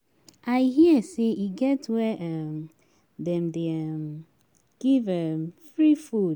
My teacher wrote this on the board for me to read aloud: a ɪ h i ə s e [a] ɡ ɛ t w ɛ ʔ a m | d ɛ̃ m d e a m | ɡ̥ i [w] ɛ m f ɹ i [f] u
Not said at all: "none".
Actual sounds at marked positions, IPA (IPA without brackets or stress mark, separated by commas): i, v, f